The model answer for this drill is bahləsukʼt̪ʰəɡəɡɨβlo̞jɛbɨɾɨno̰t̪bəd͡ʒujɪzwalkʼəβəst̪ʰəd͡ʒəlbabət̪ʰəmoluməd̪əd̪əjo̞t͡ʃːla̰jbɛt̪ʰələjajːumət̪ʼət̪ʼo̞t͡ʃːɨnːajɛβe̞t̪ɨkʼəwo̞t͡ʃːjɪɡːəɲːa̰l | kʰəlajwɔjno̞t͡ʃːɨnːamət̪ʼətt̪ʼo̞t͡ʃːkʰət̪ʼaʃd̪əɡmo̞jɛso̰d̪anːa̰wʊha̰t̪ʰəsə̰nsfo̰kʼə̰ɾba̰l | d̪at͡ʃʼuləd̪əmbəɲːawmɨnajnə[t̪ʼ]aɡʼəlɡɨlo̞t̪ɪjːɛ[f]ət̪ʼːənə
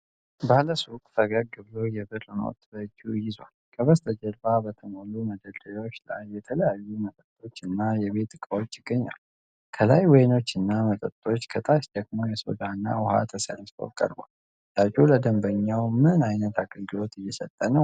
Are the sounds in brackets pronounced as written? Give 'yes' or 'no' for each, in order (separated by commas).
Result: no, no